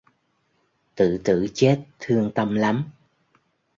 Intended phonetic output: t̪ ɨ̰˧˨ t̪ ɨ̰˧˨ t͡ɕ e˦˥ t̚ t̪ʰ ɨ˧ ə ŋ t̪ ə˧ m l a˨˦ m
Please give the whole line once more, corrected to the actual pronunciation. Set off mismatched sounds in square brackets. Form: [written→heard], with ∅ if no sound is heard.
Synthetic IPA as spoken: t̪ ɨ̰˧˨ t̪ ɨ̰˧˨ t͡ɕ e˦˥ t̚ t̪ʰ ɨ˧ ə ŋ t̪ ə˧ m l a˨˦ m